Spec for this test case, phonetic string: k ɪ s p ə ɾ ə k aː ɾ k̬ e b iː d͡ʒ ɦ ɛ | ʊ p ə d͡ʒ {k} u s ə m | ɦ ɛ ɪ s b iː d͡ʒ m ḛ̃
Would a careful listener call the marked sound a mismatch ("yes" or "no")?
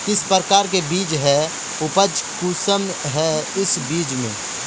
no